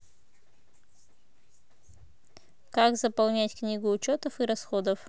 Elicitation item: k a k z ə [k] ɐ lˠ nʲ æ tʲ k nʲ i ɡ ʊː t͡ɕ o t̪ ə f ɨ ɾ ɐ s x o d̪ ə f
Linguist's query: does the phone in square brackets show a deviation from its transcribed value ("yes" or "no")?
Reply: yes